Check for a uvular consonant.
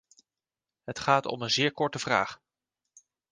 present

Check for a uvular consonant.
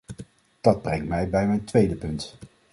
absent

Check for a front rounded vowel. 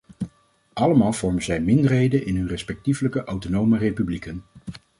present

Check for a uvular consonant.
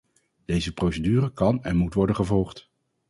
present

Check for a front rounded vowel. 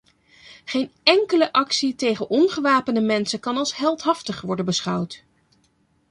absent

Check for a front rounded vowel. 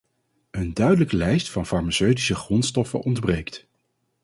present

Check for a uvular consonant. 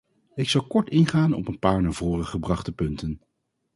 present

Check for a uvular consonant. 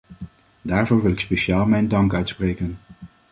absent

